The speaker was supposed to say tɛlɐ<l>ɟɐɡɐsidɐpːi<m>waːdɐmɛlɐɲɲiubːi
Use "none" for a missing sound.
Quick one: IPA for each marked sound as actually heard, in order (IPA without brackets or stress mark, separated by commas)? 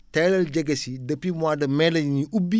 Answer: l, m